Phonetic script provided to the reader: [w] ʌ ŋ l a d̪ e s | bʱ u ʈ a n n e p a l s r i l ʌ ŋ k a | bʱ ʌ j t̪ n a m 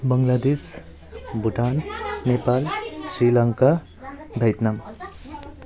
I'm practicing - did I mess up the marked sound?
yes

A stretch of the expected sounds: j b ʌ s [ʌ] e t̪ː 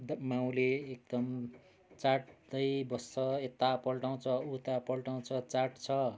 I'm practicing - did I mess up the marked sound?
no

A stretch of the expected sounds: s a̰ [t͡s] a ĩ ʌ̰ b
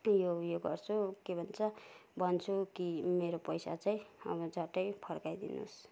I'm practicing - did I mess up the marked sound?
no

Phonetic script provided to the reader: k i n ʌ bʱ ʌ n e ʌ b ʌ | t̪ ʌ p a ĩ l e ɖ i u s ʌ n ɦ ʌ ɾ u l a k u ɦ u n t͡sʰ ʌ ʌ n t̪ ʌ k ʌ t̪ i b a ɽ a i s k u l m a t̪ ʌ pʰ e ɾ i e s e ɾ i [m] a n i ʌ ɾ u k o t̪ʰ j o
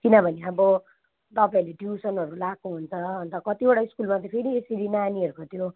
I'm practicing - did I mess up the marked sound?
yes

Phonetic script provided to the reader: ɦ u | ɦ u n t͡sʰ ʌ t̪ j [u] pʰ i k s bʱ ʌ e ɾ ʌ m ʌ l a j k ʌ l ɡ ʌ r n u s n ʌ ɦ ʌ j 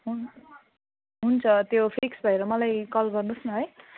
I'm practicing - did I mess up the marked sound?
yes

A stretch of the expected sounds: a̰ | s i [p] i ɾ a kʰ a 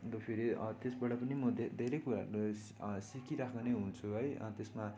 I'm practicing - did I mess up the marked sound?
yes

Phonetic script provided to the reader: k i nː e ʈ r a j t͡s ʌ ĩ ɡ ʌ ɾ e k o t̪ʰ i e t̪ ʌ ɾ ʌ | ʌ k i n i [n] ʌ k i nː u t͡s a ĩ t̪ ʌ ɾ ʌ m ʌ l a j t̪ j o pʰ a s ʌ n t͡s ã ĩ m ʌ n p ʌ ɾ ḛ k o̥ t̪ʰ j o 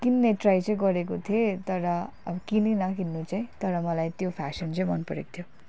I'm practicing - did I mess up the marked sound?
no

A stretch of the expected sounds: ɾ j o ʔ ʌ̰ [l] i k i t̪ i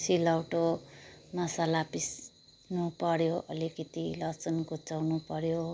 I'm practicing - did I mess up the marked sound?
no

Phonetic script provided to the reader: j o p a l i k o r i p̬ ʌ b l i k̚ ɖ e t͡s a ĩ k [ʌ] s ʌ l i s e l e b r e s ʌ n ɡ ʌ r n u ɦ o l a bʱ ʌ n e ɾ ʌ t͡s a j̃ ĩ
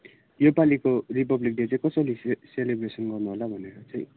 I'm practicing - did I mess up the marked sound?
no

